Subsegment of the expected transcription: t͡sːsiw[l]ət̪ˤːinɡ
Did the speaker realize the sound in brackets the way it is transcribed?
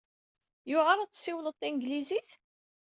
yes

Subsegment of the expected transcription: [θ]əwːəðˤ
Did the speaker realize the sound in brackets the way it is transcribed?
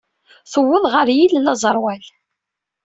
yes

